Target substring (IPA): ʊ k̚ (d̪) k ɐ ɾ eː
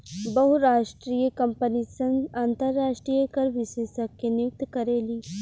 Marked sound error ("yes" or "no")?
yes